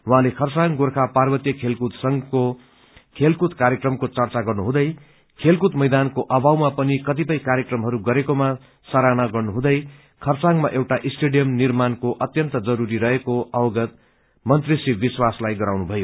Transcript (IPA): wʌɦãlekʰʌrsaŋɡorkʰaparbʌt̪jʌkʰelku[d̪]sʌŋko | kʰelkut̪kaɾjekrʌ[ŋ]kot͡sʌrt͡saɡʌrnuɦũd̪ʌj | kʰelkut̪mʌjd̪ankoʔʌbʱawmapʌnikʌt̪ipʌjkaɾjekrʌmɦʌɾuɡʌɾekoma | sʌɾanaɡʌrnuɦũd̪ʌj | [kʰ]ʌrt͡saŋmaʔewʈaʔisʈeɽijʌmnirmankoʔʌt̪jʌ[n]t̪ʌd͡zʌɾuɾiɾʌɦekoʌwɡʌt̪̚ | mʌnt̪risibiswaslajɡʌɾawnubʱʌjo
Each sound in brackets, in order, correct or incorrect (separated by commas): incorrect, incorrect, correct, correct